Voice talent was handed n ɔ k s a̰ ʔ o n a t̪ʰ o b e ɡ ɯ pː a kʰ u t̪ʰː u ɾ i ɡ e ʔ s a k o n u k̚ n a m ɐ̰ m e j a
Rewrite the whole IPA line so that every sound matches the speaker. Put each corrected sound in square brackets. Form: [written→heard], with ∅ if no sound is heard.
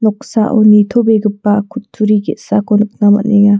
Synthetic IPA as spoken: n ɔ k s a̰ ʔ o n [a→i] t̪ʰ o b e ɡ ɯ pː a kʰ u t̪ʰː u ɾ i ɡ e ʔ s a k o n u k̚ n a m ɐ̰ [m→n] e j a